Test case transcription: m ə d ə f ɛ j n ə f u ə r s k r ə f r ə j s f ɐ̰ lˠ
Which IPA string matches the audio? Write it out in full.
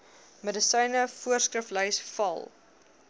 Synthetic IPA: m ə d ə s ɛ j n ə f u ə r s k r ə f l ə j s f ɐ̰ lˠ